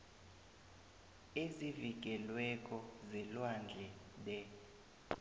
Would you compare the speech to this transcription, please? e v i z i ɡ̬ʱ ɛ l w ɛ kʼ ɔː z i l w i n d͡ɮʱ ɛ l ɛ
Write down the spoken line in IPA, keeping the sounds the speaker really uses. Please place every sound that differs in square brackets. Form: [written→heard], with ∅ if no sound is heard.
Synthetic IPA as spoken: e [v→z] i [z→v] i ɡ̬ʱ ɛ l w ɛ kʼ [ɔː→ɔ] z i l w [i→a] n d͡ɮʱ ɛ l ɛ